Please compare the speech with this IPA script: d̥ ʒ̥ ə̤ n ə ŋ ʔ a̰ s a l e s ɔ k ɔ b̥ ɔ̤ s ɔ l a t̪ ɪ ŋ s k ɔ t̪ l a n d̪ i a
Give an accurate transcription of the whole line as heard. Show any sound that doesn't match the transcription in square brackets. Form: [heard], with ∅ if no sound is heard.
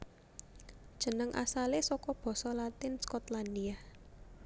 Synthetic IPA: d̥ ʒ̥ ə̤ n ə ŋ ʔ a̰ s a l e s ɔ k ɔ b̥ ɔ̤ s ɔ l a t̪ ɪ [n] s k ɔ t̪ l a n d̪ i a